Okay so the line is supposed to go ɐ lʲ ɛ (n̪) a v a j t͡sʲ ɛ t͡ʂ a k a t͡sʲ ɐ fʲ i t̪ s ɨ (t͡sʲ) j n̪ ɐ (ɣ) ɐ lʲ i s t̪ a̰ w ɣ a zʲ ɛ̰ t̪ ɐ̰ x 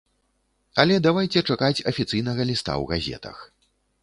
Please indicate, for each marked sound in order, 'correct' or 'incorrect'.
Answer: incorrect, incorrect, correct

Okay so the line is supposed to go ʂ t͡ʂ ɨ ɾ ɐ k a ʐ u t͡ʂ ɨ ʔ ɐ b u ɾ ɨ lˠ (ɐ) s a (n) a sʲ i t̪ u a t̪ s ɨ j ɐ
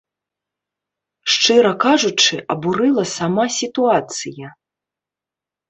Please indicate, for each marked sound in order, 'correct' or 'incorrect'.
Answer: correct, incorrect

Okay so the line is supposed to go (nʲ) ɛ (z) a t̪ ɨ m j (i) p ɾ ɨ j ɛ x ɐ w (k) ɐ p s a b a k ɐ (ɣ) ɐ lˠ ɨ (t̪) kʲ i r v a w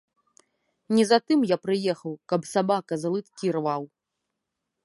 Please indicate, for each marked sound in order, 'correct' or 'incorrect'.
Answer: correct, correct, incorrect, correct, incorrect, correct

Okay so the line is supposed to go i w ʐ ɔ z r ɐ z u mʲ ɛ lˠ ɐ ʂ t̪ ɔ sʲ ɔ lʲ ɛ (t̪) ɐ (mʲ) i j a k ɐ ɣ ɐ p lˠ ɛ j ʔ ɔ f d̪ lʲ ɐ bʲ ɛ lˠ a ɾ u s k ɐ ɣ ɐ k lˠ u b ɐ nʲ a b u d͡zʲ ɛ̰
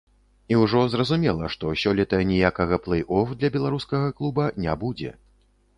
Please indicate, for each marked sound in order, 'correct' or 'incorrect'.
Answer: correct, incorrect

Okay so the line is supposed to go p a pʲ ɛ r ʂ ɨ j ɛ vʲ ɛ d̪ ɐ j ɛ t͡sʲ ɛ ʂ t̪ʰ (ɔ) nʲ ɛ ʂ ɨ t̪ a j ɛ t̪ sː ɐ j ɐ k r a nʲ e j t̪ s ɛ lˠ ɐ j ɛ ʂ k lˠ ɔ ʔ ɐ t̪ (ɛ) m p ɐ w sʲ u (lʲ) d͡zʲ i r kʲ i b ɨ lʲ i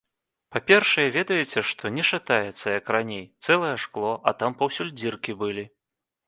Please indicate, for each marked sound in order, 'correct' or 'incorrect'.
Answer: correct, incorrect, correct

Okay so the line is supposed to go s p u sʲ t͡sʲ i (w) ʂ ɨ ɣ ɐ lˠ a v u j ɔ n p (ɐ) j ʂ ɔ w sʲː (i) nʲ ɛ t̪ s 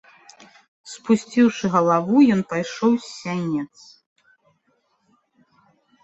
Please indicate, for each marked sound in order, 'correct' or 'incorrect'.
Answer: correct, incorrect, incorrect

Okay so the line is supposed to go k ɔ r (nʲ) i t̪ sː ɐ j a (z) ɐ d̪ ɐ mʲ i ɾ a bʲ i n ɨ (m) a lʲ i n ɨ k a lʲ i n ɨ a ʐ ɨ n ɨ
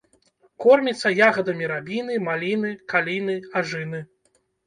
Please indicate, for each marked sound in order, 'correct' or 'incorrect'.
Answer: incorrect, incorrect, correct

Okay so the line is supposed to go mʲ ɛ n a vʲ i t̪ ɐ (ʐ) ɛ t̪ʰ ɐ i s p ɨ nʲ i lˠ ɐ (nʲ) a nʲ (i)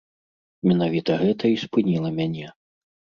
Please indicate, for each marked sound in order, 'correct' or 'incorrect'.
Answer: incorrect, incorrect, incorrect

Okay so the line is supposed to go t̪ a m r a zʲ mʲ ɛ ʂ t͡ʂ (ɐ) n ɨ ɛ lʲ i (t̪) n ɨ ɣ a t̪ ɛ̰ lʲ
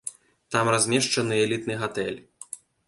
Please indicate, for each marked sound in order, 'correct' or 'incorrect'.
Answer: correct, correct

